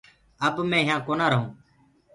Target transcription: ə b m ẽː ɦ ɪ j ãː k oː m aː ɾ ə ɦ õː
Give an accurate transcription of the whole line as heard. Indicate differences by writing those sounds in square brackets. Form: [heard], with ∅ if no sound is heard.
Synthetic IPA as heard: ə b m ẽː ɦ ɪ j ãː k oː [n] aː ɾ ə ɦ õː